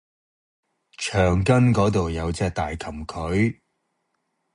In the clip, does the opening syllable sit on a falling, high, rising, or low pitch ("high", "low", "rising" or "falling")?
low